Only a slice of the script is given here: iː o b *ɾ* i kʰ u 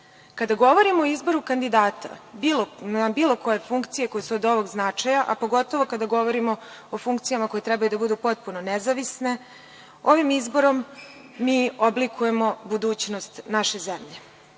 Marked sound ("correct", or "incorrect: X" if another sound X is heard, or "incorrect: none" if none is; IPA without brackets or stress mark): incorrect: l